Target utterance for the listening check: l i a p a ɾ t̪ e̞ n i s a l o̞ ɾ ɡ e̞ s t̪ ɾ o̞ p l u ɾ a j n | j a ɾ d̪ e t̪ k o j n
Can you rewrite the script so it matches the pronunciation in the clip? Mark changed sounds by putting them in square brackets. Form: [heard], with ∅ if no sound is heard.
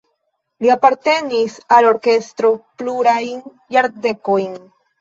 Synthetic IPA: l i a p a ɾ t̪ e̞ n i s a l o̞ ɾ [k] e̞ s t̪ ɾ o̞ p l u ɾ a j n | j a ɾ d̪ e [∅] k o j n